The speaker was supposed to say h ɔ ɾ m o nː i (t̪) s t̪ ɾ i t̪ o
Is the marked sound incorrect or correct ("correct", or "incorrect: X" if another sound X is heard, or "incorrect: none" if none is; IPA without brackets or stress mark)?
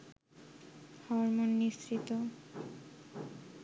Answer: incorrect: none